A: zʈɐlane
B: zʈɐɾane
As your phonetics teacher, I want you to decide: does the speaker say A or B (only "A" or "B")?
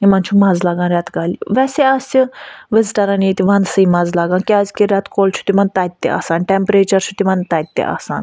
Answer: B